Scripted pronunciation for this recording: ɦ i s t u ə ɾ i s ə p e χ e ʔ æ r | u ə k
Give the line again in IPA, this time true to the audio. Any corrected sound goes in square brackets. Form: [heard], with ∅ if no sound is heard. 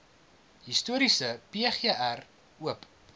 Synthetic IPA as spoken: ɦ i s t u ə ɾ i s ə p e χ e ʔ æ r | u ə [p]